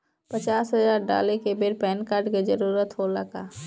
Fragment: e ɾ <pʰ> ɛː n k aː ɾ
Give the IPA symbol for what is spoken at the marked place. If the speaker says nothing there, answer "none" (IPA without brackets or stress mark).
p